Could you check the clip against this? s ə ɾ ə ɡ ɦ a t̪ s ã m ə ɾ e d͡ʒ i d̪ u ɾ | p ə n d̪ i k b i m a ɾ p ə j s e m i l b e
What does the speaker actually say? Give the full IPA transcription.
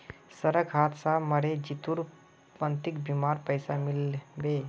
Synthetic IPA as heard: s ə ɾ ə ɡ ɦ a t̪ s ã m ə ɾ e d͡ʒ i t̪ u ɾ | p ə n t̪ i k b i m a ɾ p ə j s a m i l b e